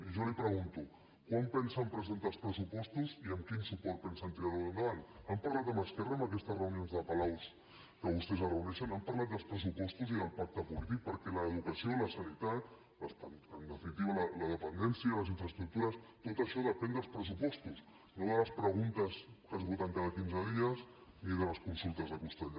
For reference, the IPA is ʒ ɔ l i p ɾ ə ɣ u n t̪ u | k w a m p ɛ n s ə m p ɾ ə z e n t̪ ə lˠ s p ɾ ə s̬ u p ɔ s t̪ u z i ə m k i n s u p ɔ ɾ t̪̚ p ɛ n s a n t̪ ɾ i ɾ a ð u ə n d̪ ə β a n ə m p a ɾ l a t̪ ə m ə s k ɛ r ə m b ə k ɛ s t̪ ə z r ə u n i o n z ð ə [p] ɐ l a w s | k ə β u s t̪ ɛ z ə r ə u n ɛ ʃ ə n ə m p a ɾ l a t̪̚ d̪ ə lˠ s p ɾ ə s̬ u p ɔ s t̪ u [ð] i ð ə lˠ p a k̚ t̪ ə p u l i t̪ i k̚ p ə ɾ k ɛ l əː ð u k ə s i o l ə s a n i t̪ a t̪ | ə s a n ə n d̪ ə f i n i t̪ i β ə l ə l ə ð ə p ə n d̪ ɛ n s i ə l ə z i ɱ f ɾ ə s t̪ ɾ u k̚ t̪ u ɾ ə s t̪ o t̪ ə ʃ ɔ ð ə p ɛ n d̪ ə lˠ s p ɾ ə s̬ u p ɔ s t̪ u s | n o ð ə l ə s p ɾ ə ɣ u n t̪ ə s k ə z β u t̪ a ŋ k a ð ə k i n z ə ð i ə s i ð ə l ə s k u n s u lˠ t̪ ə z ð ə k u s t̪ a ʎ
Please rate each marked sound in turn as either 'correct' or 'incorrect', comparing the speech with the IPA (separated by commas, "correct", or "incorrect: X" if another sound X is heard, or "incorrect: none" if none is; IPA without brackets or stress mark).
correct, incorrect: z